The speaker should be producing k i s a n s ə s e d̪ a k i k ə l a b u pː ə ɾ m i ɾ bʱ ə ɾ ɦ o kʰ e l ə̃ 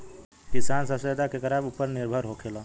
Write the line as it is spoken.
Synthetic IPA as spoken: k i s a n s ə s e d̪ a k e k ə ɾ a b u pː ə ɾ n i ɾ bʱ ə ɾ ɦ o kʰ e l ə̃